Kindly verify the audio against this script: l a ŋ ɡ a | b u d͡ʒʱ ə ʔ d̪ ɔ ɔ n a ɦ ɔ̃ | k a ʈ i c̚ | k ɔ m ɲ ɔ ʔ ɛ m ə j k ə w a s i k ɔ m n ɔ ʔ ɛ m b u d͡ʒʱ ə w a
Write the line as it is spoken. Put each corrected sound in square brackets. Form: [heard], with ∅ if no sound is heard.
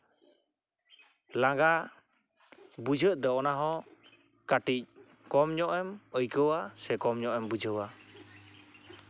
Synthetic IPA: l a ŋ ɡ a | b u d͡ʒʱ ə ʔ d̪ ɔ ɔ n a ɦ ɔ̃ | k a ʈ i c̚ | k ɔ m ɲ ɔ ʔ ɛ m ə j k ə w a s [ɛ] k ɔ m [ɲ] ɔ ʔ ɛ m b u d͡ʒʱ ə w a